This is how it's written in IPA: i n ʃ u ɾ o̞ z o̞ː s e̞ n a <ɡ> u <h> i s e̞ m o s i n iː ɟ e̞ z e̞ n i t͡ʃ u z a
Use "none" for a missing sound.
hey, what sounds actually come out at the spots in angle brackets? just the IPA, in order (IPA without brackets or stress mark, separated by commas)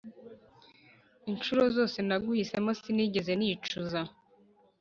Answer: ɡ, h